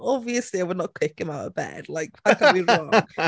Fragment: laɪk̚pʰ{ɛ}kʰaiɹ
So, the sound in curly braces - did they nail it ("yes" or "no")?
no